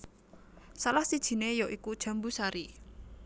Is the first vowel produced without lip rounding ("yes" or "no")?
yes